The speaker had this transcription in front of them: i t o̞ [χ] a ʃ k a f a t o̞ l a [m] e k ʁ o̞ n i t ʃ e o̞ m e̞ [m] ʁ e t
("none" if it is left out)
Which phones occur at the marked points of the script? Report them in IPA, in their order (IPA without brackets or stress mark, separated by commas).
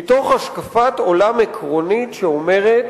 χ, m, none